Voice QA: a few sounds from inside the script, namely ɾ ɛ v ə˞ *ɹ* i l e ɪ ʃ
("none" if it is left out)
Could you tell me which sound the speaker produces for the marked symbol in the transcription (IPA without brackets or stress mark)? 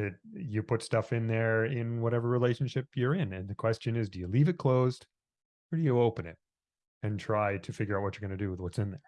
ɹ